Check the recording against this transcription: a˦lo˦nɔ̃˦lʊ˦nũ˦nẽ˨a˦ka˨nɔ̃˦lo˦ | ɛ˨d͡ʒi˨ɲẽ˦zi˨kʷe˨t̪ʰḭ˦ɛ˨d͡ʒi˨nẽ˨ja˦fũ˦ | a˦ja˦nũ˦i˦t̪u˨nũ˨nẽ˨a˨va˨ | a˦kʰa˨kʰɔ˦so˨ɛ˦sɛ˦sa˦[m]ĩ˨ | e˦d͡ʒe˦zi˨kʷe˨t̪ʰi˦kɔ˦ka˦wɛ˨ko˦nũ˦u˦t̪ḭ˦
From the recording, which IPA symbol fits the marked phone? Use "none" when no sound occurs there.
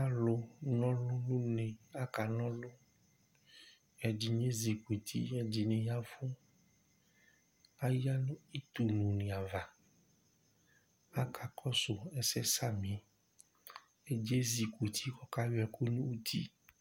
m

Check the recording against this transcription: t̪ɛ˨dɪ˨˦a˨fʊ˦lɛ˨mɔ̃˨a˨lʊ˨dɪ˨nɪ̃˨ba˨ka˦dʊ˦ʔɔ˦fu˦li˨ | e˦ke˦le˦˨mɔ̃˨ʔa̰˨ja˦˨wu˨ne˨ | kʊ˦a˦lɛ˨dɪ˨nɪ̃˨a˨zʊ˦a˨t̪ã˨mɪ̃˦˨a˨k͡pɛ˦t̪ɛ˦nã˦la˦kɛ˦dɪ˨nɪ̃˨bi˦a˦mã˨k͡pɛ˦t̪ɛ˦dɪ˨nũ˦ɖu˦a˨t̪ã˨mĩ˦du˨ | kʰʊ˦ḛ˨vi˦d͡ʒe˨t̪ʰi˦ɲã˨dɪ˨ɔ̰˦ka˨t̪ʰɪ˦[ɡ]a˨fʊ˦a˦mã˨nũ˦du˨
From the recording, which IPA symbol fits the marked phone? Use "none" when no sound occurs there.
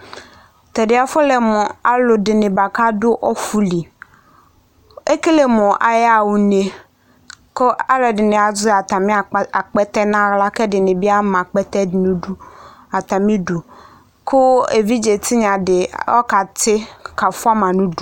k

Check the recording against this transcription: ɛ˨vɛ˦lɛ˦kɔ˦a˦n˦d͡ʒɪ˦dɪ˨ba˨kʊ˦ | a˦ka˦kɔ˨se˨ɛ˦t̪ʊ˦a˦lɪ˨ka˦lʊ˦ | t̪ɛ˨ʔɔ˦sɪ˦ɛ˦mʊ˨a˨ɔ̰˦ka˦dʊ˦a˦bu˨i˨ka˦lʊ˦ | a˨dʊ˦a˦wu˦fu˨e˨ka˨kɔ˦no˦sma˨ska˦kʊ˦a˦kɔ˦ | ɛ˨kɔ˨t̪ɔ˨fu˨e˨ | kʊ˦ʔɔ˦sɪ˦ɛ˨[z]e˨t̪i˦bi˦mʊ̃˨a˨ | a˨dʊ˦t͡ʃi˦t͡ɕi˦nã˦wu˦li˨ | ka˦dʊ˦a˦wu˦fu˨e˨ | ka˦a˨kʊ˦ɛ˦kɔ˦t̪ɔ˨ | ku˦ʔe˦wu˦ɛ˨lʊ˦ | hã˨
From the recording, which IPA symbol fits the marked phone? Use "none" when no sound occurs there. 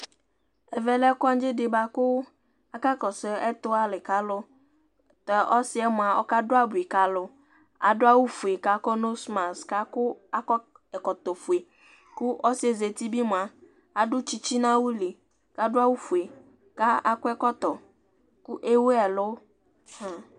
z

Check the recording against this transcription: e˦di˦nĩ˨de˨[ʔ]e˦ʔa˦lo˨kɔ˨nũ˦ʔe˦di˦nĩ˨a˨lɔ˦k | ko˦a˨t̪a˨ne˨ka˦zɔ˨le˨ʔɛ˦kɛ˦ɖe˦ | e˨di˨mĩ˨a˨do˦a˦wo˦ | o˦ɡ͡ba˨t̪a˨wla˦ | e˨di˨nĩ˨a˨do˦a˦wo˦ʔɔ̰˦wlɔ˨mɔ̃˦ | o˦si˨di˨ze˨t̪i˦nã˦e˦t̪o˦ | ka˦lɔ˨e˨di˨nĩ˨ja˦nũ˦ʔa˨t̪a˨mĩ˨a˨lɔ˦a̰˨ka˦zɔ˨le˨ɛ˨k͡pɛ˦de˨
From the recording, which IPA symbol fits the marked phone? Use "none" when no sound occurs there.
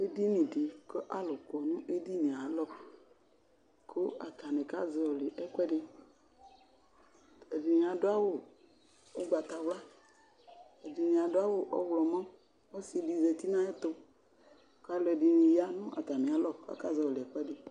k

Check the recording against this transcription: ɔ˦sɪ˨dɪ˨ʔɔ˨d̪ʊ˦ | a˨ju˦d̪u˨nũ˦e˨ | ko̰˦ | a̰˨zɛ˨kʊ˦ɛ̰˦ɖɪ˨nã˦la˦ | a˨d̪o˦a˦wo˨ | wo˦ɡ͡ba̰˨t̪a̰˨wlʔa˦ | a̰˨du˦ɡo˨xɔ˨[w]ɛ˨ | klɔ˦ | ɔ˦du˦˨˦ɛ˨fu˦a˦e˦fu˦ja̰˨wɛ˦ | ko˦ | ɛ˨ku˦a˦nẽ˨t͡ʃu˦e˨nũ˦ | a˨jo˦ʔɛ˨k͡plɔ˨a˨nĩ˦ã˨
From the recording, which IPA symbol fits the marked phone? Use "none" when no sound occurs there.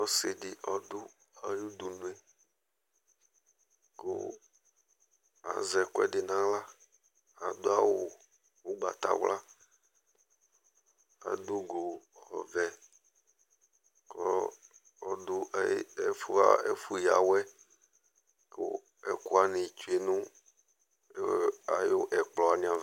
v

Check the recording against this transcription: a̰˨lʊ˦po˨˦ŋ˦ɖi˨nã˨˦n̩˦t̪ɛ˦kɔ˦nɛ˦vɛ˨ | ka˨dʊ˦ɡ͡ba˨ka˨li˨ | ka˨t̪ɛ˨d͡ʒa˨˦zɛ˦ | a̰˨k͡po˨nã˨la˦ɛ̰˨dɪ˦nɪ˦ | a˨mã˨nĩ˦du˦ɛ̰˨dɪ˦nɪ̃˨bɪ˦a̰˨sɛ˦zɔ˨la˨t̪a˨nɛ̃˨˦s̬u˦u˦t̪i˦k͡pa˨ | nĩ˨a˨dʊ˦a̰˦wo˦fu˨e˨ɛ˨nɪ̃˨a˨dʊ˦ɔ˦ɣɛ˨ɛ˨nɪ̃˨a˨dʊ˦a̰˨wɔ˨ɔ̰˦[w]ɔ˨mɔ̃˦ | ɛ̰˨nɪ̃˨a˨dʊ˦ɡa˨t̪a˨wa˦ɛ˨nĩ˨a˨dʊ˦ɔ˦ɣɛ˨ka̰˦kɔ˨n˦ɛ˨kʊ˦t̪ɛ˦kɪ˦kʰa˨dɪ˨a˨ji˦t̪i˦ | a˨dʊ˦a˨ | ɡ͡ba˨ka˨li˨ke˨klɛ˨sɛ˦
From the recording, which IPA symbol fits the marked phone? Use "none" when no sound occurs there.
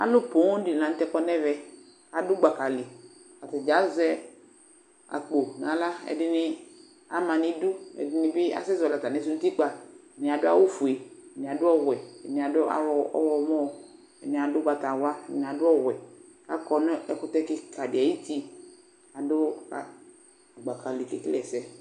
w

